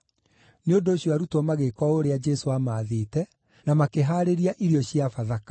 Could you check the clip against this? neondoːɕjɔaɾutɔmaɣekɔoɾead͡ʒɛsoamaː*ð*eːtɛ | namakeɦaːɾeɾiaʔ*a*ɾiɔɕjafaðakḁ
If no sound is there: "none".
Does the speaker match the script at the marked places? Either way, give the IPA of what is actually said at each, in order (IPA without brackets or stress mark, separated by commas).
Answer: ð, i